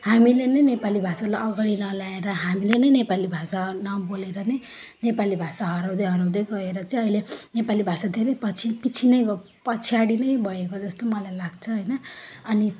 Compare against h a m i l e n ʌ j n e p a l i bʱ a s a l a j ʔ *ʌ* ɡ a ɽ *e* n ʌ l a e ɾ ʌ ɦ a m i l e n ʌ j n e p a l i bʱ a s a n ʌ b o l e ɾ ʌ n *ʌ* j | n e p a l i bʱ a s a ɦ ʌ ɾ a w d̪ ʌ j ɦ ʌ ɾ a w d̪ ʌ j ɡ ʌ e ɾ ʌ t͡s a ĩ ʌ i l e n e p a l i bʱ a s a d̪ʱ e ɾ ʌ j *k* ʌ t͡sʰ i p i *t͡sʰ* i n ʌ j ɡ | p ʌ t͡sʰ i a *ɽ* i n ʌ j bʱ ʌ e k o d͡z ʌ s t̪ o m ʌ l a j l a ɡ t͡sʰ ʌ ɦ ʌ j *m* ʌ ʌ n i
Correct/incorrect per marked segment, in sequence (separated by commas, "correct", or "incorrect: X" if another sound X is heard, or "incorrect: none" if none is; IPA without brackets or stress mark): correct, incorrect: i, correct, incorrect: p, correct, correct, incorrect: n